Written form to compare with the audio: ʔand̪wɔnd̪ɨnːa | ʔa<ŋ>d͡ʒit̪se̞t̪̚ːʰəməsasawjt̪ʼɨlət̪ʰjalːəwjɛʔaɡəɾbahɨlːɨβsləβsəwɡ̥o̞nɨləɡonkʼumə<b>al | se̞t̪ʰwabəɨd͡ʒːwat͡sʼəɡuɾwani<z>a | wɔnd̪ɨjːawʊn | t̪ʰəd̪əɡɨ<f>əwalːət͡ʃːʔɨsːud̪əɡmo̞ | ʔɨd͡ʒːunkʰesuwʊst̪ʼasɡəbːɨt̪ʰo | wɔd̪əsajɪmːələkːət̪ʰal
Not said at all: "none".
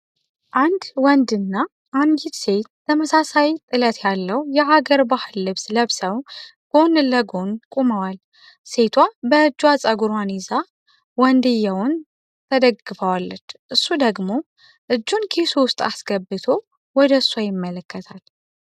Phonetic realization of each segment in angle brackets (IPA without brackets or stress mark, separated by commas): n, w, z, f